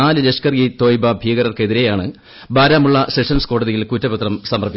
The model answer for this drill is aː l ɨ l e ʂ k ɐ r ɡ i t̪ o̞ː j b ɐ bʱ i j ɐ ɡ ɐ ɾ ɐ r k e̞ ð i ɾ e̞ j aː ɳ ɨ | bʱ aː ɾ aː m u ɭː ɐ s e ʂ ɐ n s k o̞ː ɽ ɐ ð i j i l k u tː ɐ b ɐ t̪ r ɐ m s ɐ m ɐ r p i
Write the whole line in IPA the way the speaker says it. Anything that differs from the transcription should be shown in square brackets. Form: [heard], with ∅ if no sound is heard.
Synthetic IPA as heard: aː l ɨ l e ʂ k ɐ r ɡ i t̪ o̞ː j b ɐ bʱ i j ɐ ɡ ɐ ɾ ɐ r k e̞ ð i ɾ e̞ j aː ɳ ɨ | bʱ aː ɾ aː m u ɭː ɐ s e ʂ ɐ n s k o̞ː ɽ ɐ ð i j i l k u tː ɐ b ɐ t̪ r ɐ m s ɐ m ɐ r p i

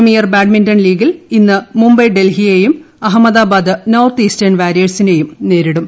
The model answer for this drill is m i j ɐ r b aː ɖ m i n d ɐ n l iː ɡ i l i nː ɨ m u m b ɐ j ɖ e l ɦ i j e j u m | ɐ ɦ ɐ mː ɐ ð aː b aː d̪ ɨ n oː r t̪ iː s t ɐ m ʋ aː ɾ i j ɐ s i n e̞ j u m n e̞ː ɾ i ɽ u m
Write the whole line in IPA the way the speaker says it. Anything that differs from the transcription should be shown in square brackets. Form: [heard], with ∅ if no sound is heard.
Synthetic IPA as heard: m i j ɐ r b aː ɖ m i n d ɐ n l iː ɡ i l i nː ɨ m u m b ɐ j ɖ e l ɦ i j e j u m | ɐ ɦ ɐ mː ɐ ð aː b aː d̪ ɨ n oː r t̪ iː s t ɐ [n] ʋ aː ɾ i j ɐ s i n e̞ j u m n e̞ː ɾ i ɽ u m

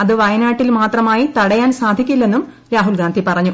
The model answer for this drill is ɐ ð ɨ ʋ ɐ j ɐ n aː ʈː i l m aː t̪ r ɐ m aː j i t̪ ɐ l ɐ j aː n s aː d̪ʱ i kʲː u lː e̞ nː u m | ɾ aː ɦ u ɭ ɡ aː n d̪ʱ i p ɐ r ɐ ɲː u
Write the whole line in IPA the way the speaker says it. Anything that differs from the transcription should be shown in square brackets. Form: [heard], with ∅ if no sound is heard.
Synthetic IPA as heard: ɐ ð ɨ ʋ ɐ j ɐ n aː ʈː i l m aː t̪ r ɐ m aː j i t̪ ɐ [ɽ] ɐ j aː n s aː d̪ʱ i kʲː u lː e̞ nː u m | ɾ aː ɦ u [l] ɡ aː n d̪ʱ i p ɐ r ɐ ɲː u

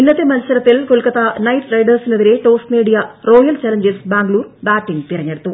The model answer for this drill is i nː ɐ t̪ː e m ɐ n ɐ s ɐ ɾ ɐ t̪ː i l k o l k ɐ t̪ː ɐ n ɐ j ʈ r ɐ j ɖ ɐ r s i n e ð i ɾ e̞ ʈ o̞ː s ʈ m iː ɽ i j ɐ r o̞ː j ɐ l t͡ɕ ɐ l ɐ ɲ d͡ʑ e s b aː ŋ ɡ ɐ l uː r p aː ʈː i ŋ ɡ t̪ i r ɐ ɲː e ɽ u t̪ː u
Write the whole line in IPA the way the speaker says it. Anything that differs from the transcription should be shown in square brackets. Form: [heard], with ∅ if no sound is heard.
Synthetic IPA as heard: i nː ɐ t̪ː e m ɐ n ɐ s ɐ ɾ ɐ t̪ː i l k o l k ɐ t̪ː ɐ n ɐ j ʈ r ɐ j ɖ ɐ r s i n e ð i ɾ e̞ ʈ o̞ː s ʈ m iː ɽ i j ɐ r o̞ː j ɐ l t͡ɕ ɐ l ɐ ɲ d͡ʑ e s b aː ŋ ɡ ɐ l uː r [b] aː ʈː i ŋ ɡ t̪ i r ɐ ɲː e ɽ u t̪ː u

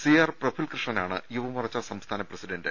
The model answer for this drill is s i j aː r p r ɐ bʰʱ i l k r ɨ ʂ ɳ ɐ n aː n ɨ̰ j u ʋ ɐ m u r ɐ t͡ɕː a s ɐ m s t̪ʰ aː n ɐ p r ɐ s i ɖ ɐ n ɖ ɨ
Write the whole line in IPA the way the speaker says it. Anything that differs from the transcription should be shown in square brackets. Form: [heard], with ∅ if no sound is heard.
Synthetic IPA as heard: s i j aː r p r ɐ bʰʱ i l k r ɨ ʂ ɳ ɐ n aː [ɳ] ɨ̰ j u ʋ ɐ m u r ɐ t͡ɕː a s ɐ m s t̪ʰ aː n ɐ p r ɐ s i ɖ ɐ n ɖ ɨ

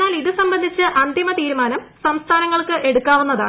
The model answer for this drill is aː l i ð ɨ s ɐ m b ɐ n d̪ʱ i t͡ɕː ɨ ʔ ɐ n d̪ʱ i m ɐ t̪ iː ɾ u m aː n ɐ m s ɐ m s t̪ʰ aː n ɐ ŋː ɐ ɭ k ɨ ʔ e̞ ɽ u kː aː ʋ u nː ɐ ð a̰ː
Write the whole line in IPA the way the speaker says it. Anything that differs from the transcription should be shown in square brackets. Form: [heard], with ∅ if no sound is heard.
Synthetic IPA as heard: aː l i ð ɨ s ɐ m b ɐ n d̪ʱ i t͡ɕː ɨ ʔ ɐ n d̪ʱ i m ɐ t̪ iː ɾ u m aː n ɐ m s ɐ m s t̪ʰ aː n ɐ ŋː ɐ ɭ k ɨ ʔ e̞ ɽ u kː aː ʋ u nː ɐ ð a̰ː

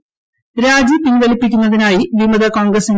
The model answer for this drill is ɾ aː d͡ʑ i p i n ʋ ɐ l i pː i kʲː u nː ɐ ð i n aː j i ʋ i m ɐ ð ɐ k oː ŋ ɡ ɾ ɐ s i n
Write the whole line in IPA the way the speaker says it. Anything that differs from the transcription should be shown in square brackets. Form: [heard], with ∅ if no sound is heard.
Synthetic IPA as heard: ɾ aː d͡ʑ i p i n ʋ ɐ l i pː i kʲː u nː ɐ ð i n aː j i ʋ i m ɐ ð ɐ k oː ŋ ɡ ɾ ɐ s i n

